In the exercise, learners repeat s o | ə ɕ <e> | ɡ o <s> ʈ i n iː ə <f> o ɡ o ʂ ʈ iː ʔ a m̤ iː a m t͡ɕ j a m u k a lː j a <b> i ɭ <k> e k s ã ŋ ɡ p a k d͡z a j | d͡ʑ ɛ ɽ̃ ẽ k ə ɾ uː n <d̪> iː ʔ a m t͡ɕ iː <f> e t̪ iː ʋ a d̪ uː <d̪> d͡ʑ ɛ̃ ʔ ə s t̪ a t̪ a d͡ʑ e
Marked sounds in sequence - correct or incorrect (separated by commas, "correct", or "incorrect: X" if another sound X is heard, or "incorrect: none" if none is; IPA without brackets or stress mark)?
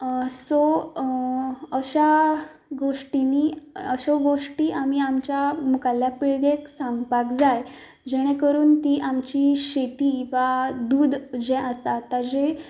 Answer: incorrect: a, incorrect: ʂ, incorrect: ɕ, incorrect: p, incorrect: ɡ, incorrect: t̪, incorrect: ɕ, correct